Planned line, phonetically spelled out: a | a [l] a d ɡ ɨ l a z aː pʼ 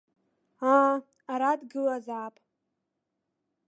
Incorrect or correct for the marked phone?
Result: incorrect: ɾ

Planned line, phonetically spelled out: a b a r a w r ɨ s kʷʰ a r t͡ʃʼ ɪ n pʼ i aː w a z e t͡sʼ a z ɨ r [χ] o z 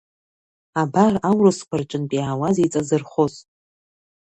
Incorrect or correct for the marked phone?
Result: correct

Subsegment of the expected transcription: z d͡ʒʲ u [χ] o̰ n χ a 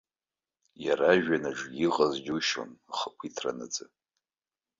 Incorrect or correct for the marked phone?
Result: incorrect: ʃ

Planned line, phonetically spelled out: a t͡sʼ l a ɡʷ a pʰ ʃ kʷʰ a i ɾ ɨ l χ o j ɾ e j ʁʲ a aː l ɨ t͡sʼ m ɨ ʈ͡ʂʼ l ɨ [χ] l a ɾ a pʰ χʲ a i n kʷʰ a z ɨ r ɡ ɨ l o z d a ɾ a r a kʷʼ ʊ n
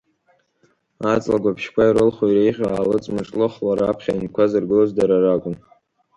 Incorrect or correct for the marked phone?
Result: correct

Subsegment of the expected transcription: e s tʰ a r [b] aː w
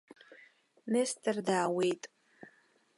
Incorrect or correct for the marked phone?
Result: incorrect: d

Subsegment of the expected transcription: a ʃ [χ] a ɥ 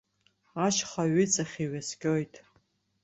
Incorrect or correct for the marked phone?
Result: correct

